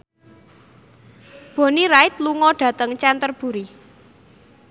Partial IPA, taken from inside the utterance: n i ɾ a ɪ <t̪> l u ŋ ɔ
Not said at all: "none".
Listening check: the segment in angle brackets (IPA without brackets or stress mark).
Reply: t̪